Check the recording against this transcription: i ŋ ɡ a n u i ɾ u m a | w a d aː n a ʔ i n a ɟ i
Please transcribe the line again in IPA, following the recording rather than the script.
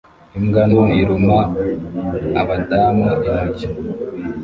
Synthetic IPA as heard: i m ɡ a n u i ɾ u m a | β a d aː m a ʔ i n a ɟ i